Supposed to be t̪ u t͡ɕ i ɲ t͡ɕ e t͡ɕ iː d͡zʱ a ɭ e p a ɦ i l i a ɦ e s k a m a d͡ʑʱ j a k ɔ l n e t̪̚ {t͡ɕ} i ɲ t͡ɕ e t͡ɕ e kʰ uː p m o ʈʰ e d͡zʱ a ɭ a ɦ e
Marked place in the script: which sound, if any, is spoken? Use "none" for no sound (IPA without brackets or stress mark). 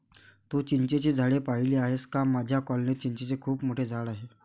t͡ɕ